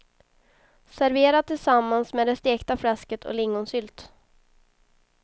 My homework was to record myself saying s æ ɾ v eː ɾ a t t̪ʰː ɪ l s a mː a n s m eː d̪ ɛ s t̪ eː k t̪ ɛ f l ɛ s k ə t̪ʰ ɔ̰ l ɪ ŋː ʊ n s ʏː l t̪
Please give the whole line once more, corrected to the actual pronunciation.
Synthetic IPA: s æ ɾ v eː ɾ a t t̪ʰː ɪ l s a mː a n s m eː d̪ ɛ s t̪ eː k t̪ a f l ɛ s k ə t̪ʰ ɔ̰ l ɪ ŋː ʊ n s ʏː l t̪